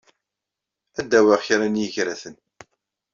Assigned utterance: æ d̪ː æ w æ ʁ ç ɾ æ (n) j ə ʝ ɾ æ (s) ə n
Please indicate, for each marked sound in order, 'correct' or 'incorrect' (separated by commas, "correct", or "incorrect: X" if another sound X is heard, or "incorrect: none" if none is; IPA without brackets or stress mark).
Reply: correct, incorrect: θ